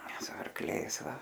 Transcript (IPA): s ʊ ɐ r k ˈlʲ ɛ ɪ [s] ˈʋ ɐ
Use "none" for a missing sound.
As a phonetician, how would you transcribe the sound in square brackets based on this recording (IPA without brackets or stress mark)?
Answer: s